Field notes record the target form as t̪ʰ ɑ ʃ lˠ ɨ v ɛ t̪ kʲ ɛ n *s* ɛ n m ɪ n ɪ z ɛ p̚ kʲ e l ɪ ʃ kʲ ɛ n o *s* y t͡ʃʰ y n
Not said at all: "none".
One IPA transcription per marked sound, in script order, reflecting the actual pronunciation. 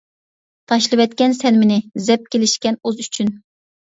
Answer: s, z

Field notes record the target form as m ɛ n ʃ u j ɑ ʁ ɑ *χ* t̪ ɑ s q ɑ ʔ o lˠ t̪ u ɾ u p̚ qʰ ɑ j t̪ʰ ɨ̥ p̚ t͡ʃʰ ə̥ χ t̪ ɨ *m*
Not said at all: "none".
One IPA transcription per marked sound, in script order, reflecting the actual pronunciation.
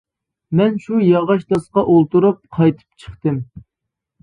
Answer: ʃ, m

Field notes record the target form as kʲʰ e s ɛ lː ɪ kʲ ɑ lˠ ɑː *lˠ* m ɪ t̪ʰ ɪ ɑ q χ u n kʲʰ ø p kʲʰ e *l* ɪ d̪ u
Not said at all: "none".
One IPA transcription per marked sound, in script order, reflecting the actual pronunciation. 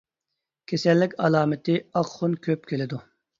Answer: none, l

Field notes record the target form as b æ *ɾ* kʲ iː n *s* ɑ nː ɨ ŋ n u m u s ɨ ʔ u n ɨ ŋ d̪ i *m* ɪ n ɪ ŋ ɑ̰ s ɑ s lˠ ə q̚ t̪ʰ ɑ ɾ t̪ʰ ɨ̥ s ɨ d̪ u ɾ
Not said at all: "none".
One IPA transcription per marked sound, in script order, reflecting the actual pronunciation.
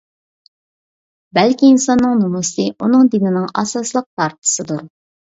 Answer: l, s, n

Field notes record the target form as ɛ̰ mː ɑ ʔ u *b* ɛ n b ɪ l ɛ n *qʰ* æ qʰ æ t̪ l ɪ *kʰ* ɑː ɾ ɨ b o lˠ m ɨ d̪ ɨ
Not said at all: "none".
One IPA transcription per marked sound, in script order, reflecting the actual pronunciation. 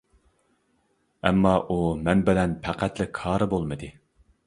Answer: m, pʰ, kʰ

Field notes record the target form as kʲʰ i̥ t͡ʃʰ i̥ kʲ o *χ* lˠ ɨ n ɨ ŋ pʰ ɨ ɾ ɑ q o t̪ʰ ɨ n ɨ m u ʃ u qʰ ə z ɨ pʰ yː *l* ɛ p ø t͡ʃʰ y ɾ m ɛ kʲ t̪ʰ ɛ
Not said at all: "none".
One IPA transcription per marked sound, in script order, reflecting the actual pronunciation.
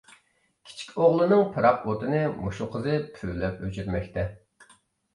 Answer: ʁ, l

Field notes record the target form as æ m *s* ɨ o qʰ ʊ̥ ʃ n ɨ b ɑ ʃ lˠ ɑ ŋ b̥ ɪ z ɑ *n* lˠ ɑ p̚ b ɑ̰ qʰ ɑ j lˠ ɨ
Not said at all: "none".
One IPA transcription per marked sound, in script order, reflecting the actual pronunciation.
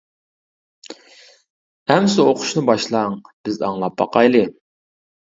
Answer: s, ŋ

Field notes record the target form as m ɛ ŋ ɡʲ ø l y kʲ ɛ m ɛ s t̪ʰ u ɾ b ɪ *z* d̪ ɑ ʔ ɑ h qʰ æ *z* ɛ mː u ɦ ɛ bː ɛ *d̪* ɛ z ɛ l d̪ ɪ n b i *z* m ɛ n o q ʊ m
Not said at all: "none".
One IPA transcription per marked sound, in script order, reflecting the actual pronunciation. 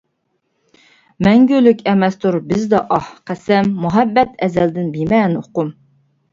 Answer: z, s, t̪, none

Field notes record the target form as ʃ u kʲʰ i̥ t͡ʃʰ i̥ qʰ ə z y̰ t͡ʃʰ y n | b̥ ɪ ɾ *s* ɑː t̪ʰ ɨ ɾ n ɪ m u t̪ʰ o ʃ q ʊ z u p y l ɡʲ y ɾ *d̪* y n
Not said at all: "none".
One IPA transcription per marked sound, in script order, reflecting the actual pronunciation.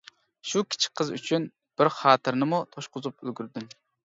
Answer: χ, d̪

